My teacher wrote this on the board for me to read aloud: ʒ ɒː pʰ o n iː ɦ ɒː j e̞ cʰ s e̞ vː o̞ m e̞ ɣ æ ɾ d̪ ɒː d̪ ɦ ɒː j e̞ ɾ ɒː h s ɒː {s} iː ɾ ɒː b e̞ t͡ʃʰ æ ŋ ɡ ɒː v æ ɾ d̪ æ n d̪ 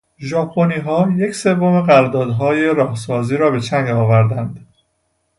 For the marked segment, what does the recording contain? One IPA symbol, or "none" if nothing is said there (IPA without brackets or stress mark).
z